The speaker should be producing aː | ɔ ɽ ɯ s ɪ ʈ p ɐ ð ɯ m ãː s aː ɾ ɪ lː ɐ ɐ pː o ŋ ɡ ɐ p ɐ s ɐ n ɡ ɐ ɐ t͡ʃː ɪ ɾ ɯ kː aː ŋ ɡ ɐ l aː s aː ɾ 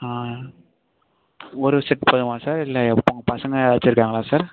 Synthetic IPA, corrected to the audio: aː | ɔ ɾ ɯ s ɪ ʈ p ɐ ð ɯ m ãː s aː ɾ ɪ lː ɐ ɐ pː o ŋ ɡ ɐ p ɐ s ɐ ŋ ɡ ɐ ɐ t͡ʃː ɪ ɾ ɯ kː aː ŋ ɡ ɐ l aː s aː ɾ